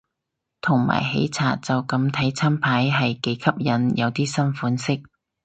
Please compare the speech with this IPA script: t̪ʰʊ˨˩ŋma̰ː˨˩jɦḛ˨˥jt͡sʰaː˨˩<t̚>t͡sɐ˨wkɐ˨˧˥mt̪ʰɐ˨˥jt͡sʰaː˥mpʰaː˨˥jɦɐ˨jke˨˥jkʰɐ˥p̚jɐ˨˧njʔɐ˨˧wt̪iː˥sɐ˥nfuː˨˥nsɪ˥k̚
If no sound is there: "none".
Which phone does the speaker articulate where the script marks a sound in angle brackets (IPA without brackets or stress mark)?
t̚